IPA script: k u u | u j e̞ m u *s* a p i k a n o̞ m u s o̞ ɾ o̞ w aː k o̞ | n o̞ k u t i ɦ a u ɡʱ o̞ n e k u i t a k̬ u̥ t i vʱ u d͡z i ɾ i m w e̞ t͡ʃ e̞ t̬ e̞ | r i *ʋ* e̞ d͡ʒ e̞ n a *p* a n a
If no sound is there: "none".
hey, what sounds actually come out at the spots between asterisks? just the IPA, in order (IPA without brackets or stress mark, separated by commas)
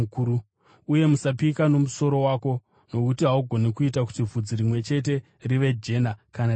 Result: s, ʋ, k